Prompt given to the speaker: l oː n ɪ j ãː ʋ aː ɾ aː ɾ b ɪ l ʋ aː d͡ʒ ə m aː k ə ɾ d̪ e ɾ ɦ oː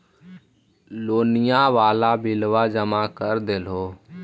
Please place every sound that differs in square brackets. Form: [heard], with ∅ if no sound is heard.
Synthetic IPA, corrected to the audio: l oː n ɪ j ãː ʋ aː [l] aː [∅] b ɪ l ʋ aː d͡ʒ ə m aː k ə ɾ d̪ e [l] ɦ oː